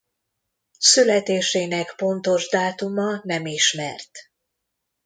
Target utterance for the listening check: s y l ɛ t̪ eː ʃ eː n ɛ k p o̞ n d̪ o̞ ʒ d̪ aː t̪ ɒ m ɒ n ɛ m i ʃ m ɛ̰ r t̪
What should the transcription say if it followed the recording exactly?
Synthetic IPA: s y l ɛ t̪ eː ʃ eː n ɛ k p o̞ n t̪ o̞ ʒ d̪ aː t̪ u m ɒ n ɛ m i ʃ m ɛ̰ r t̪